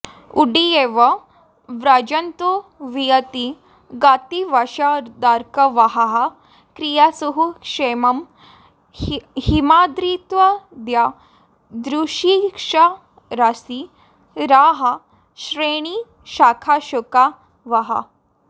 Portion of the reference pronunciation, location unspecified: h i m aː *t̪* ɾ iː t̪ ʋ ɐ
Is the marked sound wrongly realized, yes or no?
yes